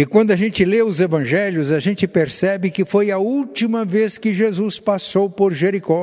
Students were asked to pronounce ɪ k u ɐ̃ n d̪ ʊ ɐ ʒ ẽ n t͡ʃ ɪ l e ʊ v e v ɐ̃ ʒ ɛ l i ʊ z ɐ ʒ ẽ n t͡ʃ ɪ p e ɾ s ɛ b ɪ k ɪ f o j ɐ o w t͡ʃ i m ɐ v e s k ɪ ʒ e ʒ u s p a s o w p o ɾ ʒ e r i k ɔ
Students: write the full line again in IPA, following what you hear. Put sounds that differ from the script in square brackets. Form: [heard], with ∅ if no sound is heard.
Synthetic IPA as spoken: ɪ k [w] ɐ̃ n d̪ ʊ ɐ ʒ ẽ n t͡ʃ ɪ l e ʊ [z] e v ɐ̃ ʒ ɛ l [j] ʊ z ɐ ʒ ẽ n t͡ʃ ɪ p e ɾ s ɛ b ɪ k ɪ f o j ɐ [u] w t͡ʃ i m ɐ v e s k ɪ ʒ e [z] u s p a s o w p o ɾ ʒ e [ɾ] i k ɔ